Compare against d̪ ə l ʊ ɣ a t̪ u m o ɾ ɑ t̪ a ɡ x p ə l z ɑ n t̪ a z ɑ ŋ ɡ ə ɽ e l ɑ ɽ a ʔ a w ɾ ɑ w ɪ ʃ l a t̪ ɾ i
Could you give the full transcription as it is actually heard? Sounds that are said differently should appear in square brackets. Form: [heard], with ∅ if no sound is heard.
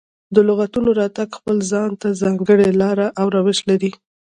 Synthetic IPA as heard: d̪ ə l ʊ ɣ a t̪ u [n] o ɾ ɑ t̪ a ɡ x p ə l z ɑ n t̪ a z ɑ ŋ ɡ ə ɽ e l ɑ [ɾ] a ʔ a w ɾ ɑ w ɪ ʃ l a [∅] ɾ i

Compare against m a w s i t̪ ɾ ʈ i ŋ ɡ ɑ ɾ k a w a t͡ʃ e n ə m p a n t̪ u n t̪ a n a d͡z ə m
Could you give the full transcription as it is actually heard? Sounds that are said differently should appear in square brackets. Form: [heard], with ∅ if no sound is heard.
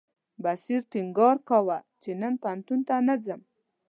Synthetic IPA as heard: [b] a [∅] s i [∅] ɾ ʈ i ŋ ɡ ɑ ɾ k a w a t͡ʃ e n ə [n] p a n t̪ u n t̪ a n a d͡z ə m

